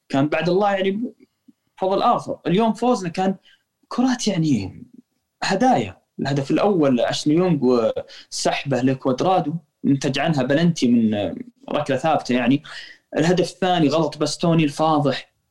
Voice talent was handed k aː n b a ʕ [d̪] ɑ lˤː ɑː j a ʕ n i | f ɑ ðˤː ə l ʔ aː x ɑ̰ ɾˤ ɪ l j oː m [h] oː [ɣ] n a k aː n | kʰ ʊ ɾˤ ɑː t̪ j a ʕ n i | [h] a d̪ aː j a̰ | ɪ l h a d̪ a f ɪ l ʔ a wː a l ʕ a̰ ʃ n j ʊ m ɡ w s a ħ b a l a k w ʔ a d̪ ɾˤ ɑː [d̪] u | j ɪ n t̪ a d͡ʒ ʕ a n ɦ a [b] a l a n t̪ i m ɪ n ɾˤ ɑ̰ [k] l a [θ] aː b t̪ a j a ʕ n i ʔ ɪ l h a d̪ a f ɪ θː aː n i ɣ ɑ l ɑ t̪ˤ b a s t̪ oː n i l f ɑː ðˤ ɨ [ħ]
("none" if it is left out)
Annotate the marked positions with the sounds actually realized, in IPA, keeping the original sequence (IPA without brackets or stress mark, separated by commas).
d̪, f, z, h, d̪, b, k, θ, ħ